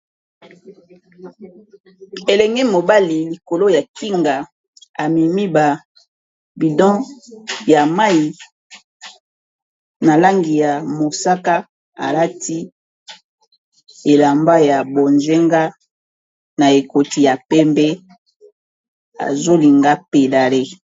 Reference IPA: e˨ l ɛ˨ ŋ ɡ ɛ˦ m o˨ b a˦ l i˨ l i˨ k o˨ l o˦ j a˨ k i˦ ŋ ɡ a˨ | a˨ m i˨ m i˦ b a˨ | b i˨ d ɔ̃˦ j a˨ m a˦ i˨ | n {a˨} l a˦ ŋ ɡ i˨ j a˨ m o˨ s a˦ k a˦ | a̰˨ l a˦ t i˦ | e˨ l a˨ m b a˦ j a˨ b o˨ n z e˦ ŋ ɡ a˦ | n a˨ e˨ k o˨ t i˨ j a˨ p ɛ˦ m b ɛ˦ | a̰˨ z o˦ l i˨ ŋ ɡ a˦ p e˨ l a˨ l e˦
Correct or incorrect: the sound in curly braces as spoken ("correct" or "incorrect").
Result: correct